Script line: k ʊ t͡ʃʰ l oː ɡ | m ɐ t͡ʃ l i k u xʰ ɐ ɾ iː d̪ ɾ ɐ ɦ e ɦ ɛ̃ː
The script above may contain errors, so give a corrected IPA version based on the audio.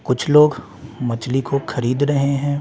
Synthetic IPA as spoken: k ʊ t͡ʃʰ l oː ɡ | m ɐ t͡ʃ l i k o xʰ ɐ ɾ iː d̪ ɾ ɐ ɦ e ɦ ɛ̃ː